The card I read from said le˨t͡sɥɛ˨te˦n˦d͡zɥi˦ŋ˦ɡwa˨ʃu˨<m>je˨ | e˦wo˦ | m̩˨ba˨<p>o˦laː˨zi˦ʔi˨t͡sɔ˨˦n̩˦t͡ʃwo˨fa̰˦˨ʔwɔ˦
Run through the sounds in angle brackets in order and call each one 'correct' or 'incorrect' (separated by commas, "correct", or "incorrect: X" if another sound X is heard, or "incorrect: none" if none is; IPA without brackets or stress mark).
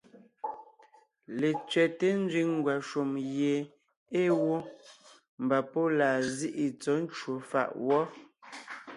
correct, correct